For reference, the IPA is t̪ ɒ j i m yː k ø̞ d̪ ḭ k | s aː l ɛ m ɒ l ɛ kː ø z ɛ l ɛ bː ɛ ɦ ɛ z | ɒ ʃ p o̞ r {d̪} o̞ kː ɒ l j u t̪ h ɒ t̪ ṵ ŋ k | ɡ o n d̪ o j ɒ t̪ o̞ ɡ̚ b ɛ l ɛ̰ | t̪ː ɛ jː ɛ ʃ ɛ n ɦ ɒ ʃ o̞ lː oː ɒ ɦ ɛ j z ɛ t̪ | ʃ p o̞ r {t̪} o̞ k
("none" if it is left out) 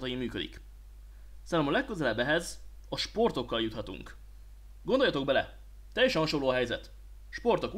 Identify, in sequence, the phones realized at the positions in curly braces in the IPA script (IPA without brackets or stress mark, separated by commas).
t̪, t̪